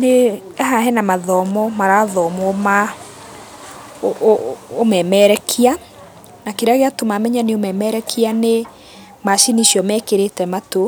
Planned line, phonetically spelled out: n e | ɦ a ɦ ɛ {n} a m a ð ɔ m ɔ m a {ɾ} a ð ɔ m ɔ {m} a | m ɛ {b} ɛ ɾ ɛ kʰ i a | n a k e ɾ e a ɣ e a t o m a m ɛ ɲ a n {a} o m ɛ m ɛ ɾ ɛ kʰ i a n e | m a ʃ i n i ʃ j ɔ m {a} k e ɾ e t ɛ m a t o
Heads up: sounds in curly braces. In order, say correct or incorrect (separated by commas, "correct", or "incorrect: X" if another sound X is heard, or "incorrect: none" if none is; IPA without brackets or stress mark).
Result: correct, correct, correct, incorrect: m, incorrect: e, incorrect: ɛ